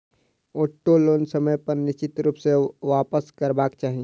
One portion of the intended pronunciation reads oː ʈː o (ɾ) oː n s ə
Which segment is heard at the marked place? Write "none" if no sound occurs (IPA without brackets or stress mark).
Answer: l